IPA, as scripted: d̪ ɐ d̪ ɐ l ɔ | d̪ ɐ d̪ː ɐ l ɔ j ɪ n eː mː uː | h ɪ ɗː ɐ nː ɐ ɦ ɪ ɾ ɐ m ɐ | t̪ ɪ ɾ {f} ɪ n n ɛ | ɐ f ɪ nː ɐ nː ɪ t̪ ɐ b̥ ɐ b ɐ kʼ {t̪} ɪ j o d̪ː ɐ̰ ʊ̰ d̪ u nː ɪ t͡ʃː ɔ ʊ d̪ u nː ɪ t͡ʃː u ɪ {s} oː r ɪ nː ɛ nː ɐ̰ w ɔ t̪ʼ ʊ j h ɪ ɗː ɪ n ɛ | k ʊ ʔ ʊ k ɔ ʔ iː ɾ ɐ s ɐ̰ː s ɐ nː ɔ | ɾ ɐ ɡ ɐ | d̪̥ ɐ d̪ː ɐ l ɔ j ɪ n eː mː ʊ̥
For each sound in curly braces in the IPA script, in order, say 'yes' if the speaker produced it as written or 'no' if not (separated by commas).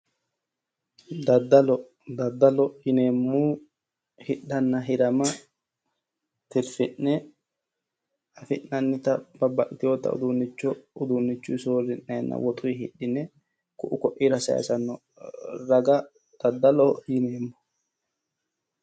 yes, yes, yes